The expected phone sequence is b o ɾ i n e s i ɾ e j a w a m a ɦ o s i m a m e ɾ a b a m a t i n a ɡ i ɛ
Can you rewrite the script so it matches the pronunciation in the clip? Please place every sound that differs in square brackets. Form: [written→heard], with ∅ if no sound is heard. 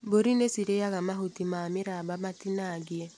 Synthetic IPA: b o ɾ i n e s i ɾ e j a [w→ɣ] a m a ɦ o [s→t] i m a m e ɾ a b a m a t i n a ɡ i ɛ